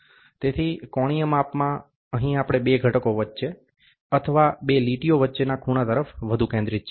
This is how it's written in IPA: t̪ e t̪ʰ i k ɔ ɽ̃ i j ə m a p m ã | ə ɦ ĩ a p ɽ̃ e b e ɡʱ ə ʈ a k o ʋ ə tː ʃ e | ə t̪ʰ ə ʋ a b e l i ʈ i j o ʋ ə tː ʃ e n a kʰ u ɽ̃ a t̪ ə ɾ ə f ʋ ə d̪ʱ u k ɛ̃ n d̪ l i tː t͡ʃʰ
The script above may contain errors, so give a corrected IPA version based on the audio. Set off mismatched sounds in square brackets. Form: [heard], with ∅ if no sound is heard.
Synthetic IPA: t̪ e t̪ʰ i k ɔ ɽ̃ i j ə m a p m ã | ə ɦ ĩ a p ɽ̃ e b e ɡʱ ə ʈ [ə] k o ʋ ə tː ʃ e | ə t̪ʰ ə ʋ a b e l i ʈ i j o ʋ ə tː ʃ e n a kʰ u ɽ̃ a t̪ ə ɾ ə f ʋ ə d̪ʱ u k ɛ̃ n d̪ [ɾ] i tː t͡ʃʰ